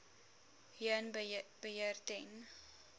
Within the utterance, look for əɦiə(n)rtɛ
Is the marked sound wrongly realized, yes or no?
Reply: yes